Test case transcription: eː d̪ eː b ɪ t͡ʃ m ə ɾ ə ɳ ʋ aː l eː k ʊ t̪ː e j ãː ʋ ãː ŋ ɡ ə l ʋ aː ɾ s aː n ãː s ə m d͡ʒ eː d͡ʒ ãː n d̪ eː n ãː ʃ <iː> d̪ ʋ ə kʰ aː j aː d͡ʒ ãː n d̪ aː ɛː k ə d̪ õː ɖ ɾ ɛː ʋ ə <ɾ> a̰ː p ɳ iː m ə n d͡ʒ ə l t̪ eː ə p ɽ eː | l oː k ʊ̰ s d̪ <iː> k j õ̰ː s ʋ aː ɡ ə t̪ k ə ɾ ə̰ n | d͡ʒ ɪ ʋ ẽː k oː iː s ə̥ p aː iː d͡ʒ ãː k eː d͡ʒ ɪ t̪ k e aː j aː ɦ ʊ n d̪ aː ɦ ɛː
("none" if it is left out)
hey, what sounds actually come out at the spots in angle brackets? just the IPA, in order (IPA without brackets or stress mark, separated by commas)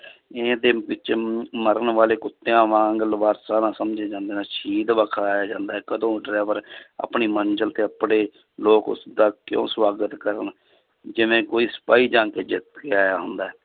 iː, ɾ, aː